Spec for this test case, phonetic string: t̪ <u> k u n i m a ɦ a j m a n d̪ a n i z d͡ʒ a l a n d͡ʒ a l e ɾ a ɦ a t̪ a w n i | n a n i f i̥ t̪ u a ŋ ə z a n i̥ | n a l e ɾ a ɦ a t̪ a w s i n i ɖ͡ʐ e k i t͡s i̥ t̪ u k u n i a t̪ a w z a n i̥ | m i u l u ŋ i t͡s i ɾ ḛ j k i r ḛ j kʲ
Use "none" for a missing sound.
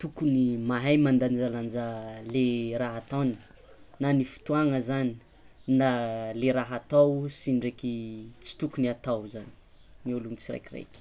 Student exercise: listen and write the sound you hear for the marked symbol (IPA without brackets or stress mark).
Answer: u